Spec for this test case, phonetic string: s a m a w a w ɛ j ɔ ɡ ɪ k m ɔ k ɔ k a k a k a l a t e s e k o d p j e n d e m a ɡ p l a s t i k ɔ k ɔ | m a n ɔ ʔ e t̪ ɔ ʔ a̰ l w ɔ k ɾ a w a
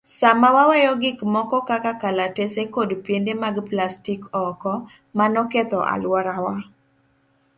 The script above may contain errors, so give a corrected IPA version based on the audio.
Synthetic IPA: s a m a w a w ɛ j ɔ ɡ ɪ k m ɔ k ɔ k a k a k a l a t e s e k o d p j e n d e m a ɡ p l a s t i k ɔ k ɔ | m a n ɔ k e t̪ ɔ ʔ a̰ l w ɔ ɾ a w a

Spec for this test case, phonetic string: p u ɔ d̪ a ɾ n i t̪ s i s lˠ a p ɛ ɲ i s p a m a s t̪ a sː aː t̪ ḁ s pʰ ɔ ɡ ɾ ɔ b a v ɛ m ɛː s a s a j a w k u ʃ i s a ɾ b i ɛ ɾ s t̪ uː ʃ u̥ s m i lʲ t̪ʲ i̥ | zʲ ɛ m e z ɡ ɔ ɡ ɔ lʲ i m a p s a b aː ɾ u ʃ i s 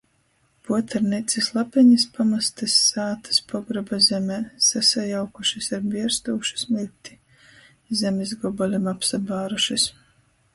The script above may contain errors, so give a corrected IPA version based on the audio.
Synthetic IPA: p u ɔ t̪ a ɾ n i t̪ s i s lˠ a p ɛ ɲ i s p a m a s t̪ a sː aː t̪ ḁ s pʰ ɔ ɡ ɾ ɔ b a z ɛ m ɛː s a s a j a w k u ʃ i s a ɾ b i ɛ ɾ s t̪ uː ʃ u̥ s m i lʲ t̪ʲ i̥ | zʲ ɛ m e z ɡ ɔ b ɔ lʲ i m a p s a b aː ɾ u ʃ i s

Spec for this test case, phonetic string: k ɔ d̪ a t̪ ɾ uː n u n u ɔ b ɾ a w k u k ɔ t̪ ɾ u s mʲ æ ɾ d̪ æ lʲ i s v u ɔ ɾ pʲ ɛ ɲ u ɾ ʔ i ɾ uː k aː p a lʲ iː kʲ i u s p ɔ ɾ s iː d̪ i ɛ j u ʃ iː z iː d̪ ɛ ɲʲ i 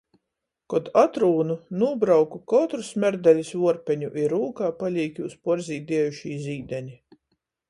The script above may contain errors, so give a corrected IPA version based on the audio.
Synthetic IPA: k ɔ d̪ a t̪ ɾ uː n u n u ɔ b ɾ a w k u k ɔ t̪ ɾ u s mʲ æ ɾ d̪ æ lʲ i s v u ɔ ɾ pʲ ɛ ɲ u ʔ i ɾ uː k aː p a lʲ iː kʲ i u s p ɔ ɾ z iː d̪ i ɛ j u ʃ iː z iː d̪ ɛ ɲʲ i

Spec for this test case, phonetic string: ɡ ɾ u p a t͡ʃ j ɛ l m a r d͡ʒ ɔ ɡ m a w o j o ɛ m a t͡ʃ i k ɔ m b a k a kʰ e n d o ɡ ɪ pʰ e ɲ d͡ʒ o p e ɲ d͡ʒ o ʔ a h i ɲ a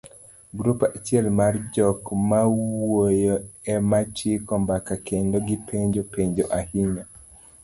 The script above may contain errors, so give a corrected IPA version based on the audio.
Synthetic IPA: ɡ ɾ u p a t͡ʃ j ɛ l m a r d͡ʒ ɔ k m a w o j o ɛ m a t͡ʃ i k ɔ m b a k a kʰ e n d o ɡ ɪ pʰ e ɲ d͡ʒ o p e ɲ d͡ʒ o ʔ a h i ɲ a

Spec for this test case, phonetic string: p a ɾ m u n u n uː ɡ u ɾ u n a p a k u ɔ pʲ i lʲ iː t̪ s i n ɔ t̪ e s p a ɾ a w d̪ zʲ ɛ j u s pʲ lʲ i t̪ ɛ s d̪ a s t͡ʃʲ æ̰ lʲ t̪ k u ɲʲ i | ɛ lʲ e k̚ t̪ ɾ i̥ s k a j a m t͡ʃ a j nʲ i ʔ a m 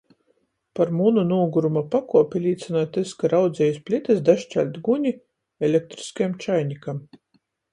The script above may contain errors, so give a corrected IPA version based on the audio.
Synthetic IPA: p a ɾ m u n u n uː ɡ u ɾ u m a p a k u ɔ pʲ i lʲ iː t̪ s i n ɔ t̪ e s k a ɾ a w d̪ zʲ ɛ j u s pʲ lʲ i t̪ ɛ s d̪ a ʃ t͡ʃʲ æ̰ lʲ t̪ ɡ u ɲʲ i | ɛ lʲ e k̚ t̪ ɾ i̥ s k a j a m t͡ʃ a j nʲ i k a m

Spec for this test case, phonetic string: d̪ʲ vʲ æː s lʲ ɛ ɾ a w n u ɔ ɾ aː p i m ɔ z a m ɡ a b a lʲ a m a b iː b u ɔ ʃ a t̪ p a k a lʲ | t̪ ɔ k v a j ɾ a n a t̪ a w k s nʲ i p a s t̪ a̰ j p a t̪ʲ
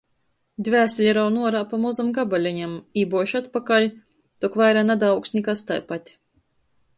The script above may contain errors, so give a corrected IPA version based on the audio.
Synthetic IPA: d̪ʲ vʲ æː s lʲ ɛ ɾ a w n u ɔ ɾ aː p a m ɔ z a m ɡ a b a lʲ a ɲ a m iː b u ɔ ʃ a t̪ p a k a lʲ | t̪ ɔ k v a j ɾ a n a d̪ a w k s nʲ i k a s t̪ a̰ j p a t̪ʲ

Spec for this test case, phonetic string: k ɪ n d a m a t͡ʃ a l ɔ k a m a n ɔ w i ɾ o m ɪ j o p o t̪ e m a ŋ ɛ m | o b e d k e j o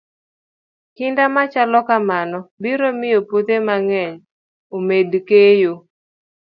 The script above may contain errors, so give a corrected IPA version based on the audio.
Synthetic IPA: k ɪ n d a m a t͡ʃ a l ɔ k a m a n ɔ b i ɾ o m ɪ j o p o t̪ e m a ŋ ɛ ɲ | o m e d k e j o

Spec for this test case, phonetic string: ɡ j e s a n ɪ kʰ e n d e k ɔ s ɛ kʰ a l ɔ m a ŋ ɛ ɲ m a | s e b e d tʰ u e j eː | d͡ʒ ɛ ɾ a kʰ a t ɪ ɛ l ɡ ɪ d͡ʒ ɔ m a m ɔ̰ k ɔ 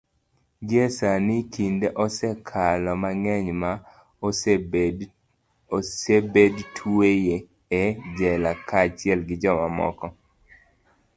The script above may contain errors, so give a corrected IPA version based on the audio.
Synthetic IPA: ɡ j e s a n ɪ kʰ i n d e ʔ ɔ s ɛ kʰ a l ɔ m a ŋ ɛ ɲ m a | s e b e d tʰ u e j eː | d͡ʒ ɛ l a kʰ a t͡ʃ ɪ ɛ l ɡ ɪ d͡ʒ ɔ m a m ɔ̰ k ɔ

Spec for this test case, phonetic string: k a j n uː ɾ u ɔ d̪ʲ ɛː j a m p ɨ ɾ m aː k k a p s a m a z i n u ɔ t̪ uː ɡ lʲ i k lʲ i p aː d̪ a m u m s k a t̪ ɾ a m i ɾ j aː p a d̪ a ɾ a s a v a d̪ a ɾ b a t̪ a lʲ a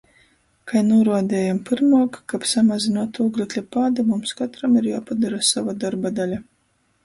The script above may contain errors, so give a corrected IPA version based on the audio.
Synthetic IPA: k a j n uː ɾ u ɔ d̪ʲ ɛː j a m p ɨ ɾ m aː k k a p s a m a z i n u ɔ t̪ uː ɡ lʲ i k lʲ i p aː d̪ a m u m s k a t̪ ɾ a m i ɾ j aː p a d̪ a ɾ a s a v a d̪ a ɾ b a d̪ a lʲ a

